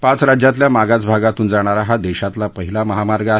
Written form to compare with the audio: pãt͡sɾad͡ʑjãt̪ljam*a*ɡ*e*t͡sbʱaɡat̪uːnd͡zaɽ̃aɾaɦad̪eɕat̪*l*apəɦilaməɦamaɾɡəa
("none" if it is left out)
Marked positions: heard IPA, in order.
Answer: a, a, l

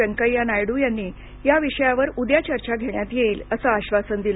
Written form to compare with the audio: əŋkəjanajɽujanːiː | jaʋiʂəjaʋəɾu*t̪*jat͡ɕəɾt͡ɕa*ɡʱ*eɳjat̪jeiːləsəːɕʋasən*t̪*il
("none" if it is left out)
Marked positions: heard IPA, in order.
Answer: d̪, ɡʱ, d̪

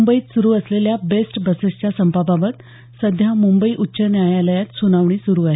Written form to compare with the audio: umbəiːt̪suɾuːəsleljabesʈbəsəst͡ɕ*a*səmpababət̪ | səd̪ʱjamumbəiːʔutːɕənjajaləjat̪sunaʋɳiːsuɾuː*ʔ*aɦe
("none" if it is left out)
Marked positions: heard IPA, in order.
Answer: a, none

